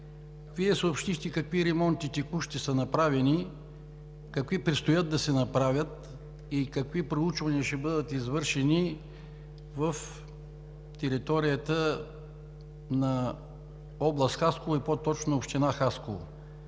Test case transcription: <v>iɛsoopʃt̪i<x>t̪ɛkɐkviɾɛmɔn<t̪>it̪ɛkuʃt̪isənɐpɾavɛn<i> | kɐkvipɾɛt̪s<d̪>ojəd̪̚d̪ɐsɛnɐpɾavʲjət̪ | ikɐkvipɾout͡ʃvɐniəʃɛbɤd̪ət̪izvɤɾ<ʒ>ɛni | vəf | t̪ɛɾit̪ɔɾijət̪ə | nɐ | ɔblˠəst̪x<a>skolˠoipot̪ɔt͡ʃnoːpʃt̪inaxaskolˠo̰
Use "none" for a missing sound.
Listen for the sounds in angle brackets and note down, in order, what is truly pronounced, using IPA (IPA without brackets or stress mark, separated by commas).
v, x, t̪, i, t̪, ʃ, a